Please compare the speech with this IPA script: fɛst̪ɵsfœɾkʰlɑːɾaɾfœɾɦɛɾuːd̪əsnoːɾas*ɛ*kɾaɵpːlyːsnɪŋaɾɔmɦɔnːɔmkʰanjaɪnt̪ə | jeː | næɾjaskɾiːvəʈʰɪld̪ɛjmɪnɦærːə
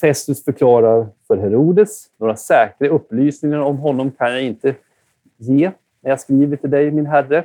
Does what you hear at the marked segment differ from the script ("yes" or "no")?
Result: yes